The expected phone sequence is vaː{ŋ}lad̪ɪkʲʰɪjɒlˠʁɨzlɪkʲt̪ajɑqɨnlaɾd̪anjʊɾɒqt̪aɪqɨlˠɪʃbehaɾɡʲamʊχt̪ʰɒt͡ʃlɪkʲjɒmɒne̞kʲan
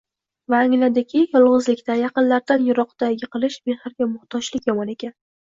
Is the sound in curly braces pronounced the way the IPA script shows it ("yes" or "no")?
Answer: yes